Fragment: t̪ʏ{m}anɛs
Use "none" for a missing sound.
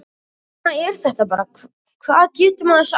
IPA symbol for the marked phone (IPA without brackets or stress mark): m